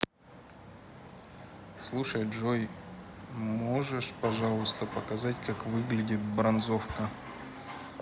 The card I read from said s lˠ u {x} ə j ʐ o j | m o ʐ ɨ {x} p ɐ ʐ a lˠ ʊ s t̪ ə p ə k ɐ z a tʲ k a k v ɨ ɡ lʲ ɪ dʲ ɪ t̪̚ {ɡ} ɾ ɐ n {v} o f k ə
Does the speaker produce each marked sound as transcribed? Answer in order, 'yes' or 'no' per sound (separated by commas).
no, no, no, no